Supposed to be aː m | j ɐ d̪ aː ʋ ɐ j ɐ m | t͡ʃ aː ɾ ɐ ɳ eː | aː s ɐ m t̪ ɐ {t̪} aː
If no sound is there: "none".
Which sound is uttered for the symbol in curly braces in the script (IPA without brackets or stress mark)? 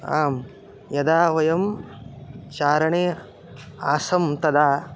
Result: d̪